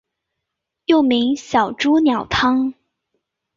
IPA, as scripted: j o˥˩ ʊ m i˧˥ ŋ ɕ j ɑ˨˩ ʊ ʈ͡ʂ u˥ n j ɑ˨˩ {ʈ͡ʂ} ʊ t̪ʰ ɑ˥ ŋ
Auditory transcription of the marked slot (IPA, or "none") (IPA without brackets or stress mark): none